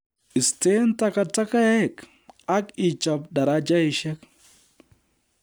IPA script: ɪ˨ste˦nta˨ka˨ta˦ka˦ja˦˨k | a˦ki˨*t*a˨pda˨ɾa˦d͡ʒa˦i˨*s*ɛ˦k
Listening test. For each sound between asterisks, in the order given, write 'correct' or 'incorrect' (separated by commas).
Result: incorrect, incorrect